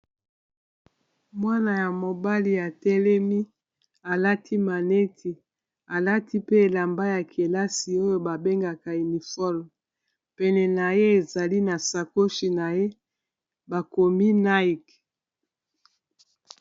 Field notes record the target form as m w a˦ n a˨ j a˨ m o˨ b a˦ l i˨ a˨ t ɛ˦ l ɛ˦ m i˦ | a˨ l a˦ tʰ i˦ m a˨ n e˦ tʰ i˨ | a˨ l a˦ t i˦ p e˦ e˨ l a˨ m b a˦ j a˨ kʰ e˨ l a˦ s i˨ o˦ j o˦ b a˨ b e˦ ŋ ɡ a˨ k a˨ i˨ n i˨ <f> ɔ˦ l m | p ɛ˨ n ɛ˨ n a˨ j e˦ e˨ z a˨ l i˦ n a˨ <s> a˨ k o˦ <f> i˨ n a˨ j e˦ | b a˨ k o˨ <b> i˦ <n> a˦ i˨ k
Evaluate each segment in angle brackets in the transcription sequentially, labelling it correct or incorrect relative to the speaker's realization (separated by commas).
correct, correct, incorrect, incorrect, correct